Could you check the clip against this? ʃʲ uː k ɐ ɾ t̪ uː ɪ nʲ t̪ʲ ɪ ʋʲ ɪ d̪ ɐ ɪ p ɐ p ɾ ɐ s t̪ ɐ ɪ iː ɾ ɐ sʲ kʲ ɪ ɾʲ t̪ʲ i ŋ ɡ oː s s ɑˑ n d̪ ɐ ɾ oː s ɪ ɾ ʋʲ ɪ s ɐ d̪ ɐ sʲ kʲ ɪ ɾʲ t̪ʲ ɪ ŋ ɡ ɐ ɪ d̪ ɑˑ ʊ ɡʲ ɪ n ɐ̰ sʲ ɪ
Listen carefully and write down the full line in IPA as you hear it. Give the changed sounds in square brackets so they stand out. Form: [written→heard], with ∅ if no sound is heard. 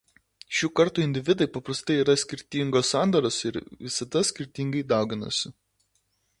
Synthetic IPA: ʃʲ uː k ɐ ɾ t̪ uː ɪ nʲ [t̪ʲ→d̪ʲ] ɪ ʋʲ ɪ d̪ ɐ ɪ p ɐ p ɾ ɐ s t̪ ɐ ɪ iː ɾ ɐ sʲ kʲ ɪ ɾʲ t̪ʲ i ŋ ɡ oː s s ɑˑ n d̪ ɐ ɾ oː s ɪ ɾ ʋʲ ɪ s ɐ d̪ ɐ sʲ kʲ ɪ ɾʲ t̪ʲ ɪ ŋ ɡ ɐ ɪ d̪ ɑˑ ʊ ɡʲ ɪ n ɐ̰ sʲ ɪ